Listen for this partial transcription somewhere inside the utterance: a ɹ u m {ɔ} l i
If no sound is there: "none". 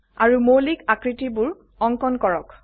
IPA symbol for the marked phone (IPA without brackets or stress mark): o